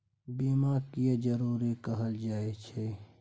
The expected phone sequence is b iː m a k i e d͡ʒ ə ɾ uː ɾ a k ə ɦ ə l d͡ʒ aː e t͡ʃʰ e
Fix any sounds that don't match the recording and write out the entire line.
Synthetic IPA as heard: b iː m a k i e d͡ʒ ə ɾ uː ɾ i k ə ɦ ə l d͡ʒ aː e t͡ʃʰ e